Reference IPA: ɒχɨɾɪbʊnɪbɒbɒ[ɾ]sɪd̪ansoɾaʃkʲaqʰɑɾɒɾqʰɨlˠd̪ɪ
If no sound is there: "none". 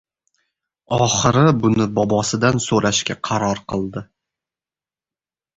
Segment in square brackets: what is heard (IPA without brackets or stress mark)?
none